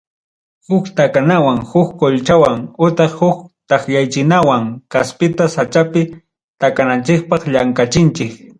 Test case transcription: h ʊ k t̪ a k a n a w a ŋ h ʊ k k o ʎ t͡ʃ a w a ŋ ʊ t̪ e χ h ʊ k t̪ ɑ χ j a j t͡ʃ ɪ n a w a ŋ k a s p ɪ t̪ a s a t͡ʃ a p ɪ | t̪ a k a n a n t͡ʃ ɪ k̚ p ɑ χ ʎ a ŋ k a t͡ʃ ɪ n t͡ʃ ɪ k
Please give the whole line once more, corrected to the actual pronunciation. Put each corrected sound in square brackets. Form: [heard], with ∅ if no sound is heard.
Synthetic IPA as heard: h ʊ k t̪ a k a n a w a ŋ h ʊ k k o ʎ t͡ʃ a w a ŋ ʊ t̪ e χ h ʊ k t̪ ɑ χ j a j t͡ʃ ɪ n a w a ŋ k a s p ɪ t̪ a s a t͡ʃ a p ɪ | t̪ a k a n a n t͡ʃ ɪ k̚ p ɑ χ ʎ a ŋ k a t͡ʃ ɪ n t͡ʃ ɪ k